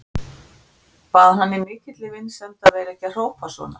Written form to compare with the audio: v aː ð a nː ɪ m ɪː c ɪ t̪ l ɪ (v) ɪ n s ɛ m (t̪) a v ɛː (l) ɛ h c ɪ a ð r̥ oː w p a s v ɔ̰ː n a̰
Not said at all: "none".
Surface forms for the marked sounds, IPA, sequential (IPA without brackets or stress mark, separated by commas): v, t̪, ɾ